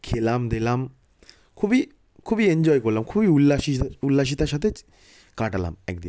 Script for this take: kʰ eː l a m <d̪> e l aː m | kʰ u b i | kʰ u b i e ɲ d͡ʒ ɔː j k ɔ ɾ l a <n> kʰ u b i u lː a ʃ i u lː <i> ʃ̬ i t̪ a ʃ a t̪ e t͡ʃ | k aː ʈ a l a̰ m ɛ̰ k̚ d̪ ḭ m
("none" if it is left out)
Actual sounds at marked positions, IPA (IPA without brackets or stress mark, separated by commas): d̪, m, a